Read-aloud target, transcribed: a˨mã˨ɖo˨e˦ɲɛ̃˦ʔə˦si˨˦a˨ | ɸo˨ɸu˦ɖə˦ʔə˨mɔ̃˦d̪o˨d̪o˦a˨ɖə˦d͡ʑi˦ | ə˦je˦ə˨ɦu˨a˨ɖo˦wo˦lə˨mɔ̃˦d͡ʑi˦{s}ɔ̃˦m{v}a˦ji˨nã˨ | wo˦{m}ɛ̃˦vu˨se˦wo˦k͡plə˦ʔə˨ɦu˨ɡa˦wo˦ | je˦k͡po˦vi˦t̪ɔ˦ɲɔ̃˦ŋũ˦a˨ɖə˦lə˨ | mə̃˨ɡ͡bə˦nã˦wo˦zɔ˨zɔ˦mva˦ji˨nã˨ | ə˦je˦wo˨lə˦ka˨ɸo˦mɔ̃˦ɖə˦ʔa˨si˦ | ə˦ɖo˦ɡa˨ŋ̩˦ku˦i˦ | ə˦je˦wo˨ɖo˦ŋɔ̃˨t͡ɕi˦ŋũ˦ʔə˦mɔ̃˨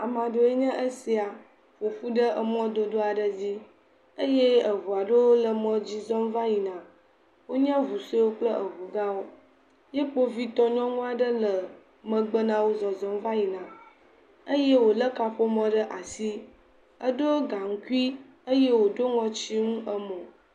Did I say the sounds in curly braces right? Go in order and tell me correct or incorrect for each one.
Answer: incorrect: z, correct, incorrect: ɲ

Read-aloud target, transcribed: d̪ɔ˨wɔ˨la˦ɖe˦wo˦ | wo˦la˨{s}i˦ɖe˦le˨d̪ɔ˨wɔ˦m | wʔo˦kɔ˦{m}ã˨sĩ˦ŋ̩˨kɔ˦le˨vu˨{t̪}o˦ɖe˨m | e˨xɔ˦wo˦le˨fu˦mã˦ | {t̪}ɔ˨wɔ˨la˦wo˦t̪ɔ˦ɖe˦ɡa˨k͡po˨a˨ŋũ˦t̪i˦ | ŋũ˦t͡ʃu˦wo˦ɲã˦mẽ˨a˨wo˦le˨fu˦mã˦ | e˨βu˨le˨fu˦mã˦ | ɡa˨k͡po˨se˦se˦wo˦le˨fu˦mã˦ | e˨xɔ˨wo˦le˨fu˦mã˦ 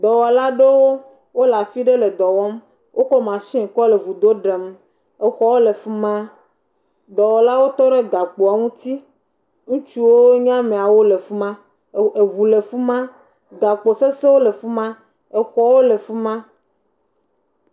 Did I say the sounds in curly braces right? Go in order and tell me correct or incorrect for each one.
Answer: incorrect: f, correct, incorrect: d̪, incorrect: d̪

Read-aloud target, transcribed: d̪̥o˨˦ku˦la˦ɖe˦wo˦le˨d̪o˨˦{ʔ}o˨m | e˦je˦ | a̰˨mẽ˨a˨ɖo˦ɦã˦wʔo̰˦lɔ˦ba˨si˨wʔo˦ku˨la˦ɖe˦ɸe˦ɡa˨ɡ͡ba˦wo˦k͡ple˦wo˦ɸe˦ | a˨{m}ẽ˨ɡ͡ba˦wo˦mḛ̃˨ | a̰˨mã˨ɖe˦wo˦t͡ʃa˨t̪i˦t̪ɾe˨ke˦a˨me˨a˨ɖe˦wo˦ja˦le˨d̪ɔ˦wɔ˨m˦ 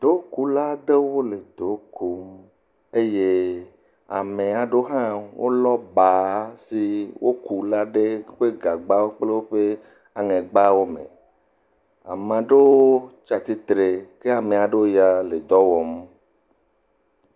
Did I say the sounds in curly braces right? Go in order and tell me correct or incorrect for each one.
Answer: incorrect: k, incorrect: ŋ

